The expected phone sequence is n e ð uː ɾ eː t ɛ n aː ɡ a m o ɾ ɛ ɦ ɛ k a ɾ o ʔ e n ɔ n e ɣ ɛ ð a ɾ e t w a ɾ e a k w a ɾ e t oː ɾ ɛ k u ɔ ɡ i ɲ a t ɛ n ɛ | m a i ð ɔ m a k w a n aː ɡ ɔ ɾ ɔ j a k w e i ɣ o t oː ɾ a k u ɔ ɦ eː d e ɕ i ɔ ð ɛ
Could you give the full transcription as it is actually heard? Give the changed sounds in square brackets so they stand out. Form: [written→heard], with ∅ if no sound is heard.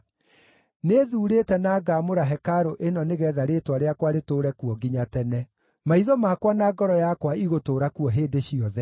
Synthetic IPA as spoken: n e ð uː ɾ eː t ɛ n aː ɡ a m o ɾ [ɛ→a] ɦ ɛ k a ɾ o ʔ e n ɔ n e ɣ ɛ ð a ɾ e t w a ɾ e a k w a ɾ e t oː ɾ ɛ k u ɔ ɡ i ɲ a t ɛ n ɛ | m a i ð ɔ m a k w a n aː ɡ ɔ ɾ ɔ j a k w [e→a] i ɣ o t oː ɾ a k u ɔ ɦ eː d e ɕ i ɔ ð ɛ

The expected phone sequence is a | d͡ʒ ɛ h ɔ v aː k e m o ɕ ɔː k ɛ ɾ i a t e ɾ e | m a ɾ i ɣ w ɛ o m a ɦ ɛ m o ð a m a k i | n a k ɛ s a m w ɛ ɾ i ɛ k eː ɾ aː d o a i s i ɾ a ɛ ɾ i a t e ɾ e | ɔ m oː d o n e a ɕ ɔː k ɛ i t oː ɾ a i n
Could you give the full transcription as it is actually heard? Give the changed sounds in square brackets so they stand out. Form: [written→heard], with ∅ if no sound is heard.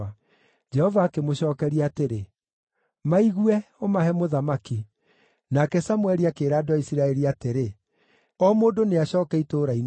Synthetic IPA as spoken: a | d͡ʒ ɛ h ɔ v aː k e m o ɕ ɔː k ɛ ɾ i a t e ɾ e | m a [ɾ→∅] i ɣ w ɛ o m a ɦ ɛ m o ð a m a k i | n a k ɛ s a m w ɛ ɾ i [ɛ→a] k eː ɾ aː d o a i s i ɾ a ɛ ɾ i a t e ɾ e | ɔ m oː d o n e a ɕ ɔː k ɛ i t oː ɾ a i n

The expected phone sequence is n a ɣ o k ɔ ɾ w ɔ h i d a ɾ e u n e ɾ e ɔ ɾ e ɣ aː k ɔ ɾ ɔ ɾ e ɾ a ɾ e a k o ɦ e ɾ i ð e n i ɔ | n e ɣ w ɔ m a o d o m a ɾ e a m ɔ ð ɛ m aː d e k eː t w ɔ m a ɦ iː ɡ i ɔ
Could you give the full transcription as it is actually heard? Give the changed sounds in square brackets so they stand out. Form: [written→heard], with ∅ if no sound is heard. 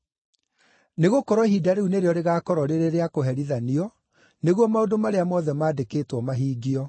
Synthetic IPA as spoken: n [a→e] ɣ o k ɔ ɾ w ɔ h i d a ɾ e u n e ɾ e ɔ ɾ e ɣ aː k ɔ ɾ ɔ ɾ e ɾ [a→e] ɾ e a k o ɦ [e→ɛ] ɾ i ð [e→a] n i ɔ | n e ɣ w ɔ m a o d o m a ɾ e a m ɔ ð ɛ m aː d e k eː t w ɔ m a ɦ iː ɡ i ɔ

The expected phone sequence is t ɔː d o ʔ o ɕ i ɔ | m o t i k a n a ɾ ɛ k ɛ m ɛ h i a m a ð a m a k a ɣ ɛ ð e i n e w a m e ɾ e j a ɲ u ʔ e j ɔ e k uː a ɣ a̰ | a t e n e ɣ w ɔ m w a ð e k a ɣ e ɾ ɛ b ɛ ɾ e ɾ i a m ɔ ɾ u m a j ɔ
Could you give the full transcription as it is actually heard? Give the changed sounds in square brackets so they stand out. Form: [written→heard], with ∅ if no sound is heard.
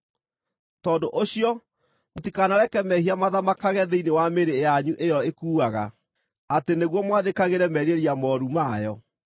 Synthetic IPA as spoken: t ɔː d o ʔ o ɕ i ɔ | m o t i k a n a ɾ ɛ k ɛ m ɛ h i a m a ð a m a k a ɣ ɛ ð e i n e w a m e ɾ e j a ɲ u ʔ e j ɔ e k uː a ɣ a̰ | a t e n e ɣ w ɔ m w a ð e k a ɣ e ɾ ɛ [b→m] ɛ ɾ e ɾ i a m ɔ ɾ u m a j ɔ

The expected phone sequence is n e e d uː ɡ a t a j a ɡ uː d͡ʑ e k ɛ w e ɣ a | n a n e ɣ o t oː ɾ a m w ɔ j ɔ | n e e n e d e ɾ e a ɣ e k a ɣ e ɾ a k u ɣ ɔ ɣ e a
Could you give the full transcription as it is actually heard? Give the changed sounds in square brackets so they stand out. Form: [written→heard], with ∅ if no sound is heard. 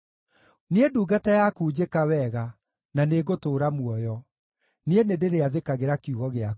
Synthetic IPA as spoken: n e e d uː ɡ a t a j a [ɡ→k] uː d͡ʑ e k [ɛ→a] w [e→ɛ] ɣ a | n a n e ɣ o t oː ɾ a m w ɔ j ɔ | n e e n e d e ɾ e a [ɣ→ð] e k a ɣ e ɾ a k u ɣ ɔ ɣ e a

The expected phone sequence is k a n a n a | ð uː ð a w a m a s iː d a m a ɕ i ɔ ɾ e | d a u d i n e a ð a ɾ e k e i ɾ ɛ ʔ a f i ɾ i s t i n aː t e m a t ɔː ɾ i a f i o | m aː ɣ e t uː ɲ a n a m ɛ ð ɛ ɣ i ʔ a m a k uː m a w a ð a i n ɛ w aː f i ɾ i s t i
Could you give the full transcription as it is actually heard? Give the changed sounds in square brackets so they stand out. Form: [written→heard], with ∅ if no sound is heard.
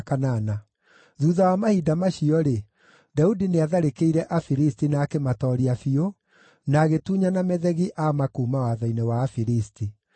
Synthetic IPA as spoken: k a n a n a | ð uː ð a w a m a [s→h] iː d a m a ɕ i ɔ ɾ e | d a u d i n e a ð a ɾ e k e i ɾ ɛ ʔ a f i ɾ i s t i n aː [t→k] e m a t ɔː ɾ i a f i o | [m→n] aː ɣ e t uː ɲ a n a m ɛ ð ɛ ɣ i ʔ a m a k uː m a w a ð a i n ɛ w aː f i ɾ i s t i

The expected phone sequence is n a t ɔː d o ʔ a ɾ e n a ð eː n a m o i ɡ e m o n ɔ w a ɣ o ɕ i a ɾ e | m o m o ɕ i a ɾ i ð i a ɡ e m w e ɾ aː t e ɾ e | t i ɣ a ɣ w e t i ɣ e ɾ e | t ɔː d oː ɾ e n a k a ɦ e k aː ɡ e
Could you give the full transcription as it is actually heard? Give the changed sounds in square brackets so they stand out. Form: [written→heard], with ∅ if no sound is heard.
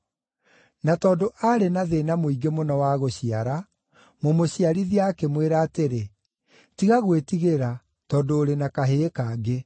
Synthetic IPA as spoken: n a t ɔː d o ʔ a ɾ e n a ð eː n a m o i ɡ e m o n ɔ w a ɣ o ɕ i a ɾ [e→a] | m o m o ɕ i a ɾ i ð i a [ɡ→k] e m w e ɾ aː t e ɾ e | t i ɣ a ɣ w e t i ɣ e ɾ [e→a] | t ɔː d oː ɾ e n a k a ɦ e k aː ɡ e

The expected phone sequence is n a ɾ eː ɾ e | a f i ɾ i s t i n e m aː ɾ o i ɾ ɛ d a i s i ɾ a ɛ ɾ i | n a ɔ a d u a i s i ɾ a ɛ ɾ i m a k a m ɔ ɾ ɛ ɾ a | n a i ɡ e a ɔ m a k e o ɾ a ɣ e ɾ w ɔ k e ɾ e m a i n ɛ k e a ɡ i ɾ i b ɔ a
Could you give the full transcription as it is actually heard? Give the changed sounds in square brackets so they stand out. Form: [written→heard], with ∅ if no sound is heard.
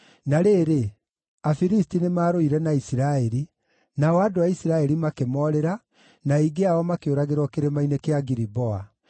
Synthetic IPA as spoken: n a ɾ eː ɾ e | a f i ɾ i s t i n e m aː ɾ o i ɾ ɛ [d→n] a i s i ɾ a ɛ ɾ i | n a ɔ a d [u→o] a i s i ɾ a ɛ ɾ i m a k [a→e] m ɔ ɾ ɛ ɾ a | n a i ɡ e a ɔ m a k e o ɾ a ɣ e ɾ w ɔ k e ɾ e m a i n [ɛ→e] k e a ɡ i ɾ i b ɔ a

